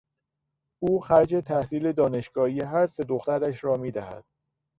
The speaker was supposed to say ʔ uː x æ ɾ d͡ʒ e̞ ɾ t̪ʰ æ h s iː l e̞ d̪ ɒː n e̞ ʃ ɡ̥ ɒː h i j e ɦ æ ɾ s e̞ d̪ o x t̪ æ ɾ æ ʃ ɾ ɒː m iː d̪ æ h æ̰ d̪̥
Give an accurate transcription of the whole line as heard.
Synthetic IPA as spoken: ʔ uː x æ ɾ d͡ʒ e̞ t̪ʰ æ h s iː l e̞ d̪ ɒː n e̞ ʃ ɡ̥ ɒː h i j e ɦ æ ɾ s e̞ d̪ o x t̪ æ ɾ æ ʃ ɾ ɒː m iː d̪ æ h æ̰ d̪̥

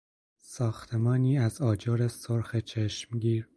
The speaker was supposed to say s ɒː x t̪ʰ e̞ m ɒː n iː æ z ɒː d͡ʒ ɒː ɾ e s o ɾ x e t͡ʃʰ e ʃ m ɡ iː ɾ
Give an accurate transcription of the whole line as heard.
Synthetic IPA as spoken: s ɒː x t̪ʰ e̞ m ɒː n iː æ z ɒː d͡ʒ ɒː ɾ e s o ɾ x e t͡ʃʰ e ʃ m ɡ iː ɾ

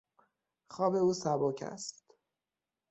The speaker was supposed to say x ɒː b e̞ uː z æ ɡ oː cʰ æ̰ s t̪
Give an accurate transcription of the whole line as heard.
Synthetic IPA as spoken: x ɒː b e̞ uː s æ b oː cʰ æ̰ s t̪

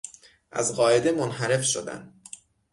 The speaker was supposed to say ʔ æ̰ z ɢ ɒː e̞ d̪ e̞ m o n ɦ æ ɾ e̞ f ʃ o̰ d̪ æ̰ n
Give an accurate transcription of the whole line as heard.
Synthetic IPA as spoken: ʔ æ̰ z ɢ ɒː e̞ d̪ e̞ m o n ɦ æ ɾ e̞ f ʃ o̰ d̪ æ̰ n

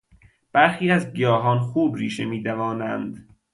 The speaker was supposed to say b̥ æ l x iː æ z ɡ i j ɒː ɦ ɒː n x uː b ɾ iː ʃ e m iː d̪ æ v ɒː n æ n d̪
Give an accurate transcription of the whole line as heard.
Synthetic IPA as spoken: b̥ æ ɾ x iː æ z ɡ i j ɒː ɦ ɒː n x uː b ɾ iː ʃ e m iː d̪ æ v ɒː n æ n d̪

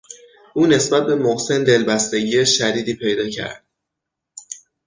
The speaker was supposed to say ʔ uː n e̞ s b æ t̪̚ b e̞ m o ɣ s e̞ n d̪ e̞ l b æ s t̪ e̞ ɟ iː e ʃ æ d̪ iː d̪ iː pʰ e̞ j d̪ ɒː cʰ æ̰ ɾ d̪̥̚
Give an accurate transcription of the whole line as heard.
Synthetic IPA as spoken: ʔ uː n e̞ s b æ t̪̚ b e̞ m o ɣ s e̞ n d̪ e̞ l b æ s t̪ e̞ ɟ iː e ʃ æ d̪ iː d̪ iː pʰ e̞ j d̪ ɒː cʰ æ̰ ɾ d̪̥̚

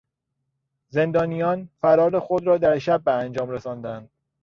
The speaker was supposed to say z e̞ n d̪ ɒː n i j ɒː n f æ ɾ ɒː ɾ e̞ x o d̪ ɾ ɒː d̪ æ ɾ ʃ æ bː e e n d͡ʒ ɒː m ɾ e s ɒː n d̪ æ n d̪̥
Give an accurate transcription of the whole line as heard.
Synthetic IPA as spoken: z e̞ n d̪ ɒː n i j ɒː n f æ ɾ ɒː ɾ e̞ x o d̪ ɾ ɒː d̪ æ ɾ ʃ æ bː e æ n d͡ʒ ɒː m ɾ e s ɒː n d̪ æ n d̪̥

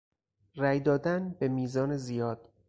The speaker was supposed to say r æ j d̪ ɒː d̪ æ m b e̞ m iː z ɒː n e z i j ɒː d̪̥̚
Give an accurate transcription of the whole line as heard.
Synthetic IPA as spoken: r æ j d̪ ɒː d̪ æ n b e̞ m iː z ɒː n e z i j ɒː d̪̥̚

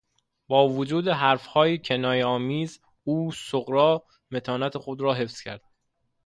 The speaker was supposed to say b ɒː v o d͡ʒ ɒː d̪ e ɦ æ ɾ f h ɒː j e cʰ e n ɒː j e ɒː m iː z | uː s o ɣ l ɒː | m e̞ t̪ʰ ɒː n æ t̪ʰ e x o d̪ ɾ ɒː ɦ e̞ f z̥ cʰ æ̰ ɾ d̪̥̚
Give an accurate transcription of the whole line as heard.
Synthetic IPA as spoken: b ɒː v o d͡ʒ uː d̪ e ɦ æ ɾ f h ɒː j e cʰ e n ɒː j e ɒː m iː z | uː s o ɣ ɾ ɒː | m e̞ t̪ʰ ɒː n æ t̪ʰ e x o d̪ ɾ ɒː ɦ e̞ f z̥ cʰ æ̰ ɾ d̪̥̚

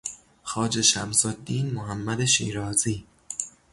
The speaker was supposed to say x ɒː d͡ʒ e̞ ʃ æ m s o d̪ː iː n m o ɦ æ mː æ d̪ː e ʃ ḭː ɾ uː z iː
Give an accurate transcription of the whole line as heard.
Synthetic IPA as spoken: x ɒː d͡ʒ e̞ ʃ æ m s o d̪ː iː n m o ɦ æ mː æ d̪ e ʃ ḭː ɾ ɒː z iː

